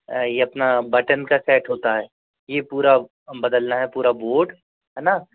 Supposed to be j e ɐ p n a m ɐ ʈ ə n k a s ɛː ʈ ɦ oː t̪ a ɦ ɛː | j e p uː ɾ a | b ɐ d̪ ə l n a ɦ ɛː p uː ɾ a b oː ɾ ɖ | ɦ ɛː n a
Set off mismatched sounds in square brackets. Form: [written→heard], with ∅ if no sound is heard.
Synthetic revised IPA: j e ɐ p n a [m→b] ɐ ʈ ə n k a s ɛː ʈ ɦ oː t̪ a ɦ ɛː | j e p uː ɾ a | b ɐ d̪ ə l n a ɦ [ɛː→ɛ] p uː ɾ a b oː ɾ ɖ | ɦ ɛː n a